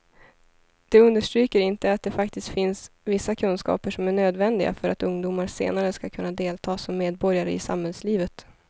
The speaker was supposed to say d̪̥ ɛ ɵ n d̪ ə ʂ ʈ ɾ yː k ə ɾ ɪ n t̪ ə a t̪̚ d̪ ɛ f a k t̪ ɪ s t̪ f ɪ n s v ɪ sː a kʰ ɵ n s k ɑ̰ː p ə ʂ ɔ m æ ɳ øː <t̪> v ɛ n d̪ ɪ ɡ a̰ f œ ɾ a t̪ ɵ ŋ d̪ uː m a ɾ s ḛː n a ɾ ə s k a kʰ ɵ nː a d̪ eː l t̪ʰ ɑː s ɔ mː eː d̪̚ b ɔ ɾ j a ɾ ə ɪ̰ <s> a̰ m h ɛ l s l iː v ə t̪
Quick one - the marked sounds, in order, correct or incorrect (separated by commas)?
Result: incorrect, correct